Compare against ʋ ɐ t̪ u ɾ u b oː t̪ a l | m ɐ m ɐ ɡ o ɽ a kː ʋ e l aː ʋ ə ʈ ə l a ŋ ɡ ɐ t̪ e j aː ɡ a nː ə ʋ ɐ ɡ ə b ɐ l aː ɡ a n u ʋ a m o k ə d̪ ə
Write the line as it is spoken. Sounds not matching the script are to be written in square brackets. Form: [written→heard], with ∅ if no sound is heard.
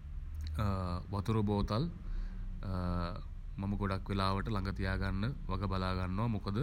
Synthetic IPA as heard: ʋ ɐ t̪ u ɾ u b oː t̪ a l | m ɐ m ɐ ɡ o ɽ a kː ʋ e l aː ʋ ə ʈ ə l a ŋ ɡ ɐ t̪ [e→i] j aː ɡ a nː ə ʋ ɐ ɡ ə b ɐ l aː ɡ a [n→nː] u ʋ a m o k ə d̪ ə